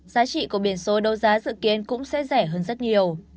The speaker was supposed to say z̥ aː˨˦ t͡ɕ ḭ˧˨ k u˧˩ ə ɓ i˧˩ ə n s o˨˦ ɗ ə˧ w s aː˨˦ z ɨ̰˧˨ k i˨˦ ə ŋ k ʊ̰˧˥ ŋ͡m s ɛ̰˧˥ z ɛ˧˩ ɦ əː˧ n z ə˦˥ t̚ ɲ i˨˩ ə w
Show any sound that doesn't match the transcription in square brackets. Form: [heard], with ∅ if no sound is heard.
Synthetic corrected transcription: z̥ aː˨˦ t͡ɕ ḭ˧˨ k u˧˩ ə ɓ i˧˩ ə n s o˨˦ ɗ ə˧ w [z] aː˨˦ z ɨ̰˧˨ k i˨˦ ə [n] k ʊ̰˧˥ ŋ͡m s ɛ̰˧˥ z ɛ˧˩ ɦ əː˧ n z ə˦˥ t̚ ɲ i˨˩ ə w